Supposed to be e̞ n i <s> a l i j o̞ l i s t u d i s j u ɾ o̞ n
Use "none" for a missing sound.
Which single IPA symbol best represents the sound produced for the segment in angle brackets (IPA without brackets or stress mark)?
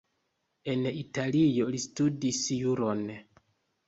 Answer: t